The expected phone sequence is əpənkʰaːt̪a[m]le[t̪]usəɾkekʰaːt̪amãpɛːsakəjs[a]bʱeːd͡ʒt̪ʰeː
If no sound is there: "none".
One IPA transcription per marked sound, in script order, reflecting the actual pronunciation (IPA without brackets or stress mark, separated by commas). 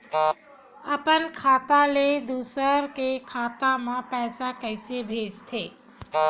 none, d̪, e